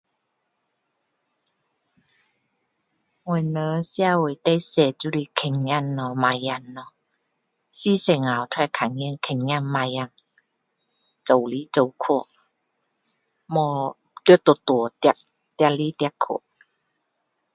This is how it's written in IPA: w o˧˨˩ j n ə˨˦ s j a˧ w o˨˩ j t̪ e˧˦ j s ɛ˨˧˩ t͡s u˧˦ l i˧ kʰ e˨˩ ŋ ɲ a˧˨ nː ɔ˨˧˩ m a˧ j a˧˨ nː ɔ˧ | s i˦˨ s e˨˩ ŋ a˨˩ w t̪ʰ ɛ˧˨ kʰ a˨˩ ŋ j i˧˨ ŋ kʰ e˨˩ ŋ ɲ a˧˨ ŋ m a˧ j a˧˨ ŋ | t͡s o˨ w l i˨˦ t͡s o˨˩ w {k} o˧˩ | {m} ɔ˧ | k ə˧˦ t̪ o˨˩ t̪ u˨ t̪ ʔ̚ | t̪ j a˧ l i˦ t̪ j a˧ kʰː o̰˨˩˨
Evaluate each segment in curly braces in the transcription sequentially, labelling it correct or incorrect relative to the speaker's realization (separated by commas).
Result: incorrect, correct